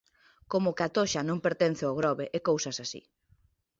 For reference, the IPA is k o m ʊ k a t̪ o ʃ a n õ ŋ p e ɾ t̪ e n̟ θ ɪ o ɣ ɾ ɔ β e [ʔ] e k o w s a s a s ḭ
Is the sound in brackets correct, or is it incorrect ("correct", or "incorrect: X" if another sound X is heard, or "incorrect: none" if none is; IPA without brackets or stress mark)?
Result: correct